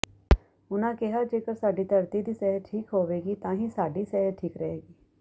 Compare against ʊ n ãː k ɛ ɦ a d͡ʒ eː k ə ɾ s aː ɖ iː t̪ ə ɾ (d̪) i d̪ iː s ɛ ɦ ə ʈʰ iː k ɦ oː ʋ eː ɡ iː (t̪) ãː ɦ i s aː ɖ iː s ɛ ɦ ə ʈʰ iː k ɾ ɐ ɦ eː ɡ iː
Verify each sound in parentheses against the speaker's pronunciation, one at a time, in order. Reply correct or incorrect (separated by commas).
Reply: incorrect, correct